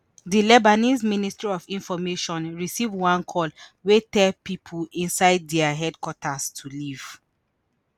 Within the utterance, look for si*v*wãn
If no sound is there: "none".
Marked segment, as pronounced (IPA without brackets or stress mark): v